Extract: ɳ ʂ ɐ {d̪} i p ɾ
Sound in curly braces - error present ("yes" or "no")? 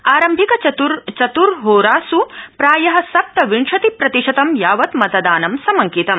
yes